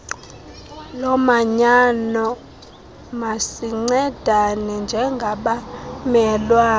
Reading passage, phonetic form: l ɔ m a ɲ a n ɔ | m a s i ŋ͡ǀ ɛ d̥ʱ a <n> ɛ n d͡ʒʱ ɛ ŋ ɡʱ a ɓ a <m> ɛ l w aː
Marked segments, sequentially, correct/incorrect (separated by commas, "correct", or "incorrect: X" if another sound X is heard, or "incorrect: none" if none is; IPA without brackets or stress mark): correct, correct